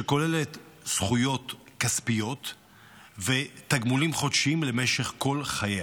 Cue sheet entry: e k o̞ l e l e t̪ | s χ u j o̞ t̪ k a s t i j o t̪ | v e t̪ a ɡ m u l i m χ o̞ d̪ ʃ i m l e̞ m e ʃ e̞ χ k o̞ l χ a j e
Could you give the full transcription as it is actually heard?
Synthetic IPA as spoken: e k o̞ l e l e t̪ | s χ u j o̞ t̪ k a s p i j o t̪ | v e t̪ a ɡ m u l i m χ o̞ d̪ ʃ i m l e̞ m e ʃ e̞ χ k o̞ l χ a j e